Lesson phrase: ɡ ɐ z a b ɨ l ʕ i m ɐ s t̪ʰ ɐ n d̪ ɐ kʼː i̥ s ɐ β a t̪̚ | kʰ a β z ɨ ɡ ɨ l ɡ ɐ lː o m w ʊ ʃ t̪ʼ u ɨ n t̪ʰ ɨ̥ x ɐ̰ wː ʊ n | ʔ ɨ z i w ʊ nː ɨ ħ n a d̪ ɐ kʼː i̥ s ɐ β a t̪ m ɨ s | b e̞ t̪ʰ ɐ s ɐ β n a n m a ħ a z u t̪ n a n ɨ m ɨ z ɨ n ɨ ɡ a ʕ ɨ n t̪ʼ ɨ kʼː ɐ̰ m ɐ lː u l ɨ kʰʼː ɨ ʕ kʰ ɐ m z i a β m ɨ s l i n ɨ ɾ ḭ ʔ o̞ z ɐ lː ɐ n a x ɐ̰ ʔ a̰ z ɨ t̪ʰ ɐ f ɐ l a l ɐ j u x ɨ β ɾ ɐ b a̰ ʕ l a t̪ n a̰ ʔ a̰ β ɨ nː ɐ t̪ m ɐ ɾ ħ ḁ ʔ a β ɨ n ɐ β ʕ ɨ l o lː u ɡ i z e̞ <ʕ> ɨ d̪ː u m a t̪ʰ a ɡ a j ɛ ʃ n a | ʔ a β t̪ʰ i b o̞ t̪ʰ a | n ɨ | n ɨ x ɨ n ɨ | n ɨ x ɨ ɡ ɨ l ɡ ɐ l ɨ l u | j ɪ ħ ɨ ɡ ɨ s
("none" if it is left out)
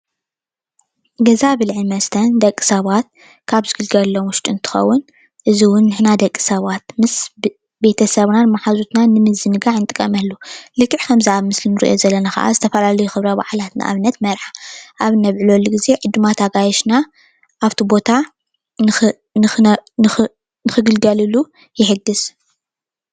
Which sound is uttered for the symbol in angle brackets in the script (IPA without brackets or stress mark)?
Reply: ʕ